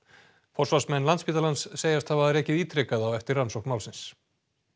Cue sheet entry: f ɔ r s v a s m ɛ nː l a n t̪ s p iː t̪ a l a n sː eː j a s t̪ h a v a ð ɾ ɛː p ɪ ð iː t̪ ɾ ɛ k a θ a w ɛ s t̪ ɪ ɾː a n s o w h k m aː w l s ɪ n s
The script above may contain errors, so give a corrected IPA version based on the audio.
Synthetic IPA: f ɔ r s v a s m ɛ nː l a n t̪ s p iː t̪ a l a n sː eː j a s t̪ h a v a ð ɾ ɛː c ɪ ð iː t̪ ɾ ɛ k a ð a w ɛ f t̪ ɪ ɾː a n s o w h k m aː w l s ɪ n s